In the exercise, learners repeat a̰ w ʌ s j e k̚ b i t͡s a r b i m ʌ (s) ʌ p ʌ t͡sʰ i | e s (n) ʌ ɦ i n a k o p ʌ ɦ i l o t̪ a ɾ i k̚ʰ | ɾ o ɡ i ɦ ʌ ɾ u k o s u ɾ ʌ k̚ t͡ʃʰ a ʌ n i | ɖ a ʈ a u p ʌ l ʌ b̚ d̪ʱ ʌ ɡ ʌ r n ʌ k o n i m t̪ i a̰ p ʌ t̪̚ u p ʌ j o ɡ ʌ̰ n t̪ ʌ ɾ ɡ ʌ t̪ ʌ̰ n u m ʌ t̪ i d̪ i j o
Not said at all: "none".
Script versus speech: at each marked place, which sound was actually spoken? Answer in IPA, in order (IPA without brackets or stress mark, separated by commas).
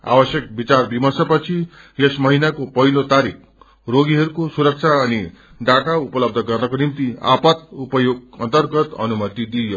s, m